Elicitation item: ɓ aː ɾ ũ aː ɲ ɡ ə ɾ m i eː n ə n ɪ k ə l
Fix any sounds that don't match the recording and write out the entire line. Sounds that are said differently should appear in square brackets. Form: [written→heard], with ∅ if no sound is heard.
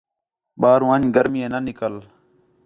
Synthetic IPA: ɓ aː ɾ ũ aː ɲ ɡ ə ɾ m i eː n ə n ɪ k ə l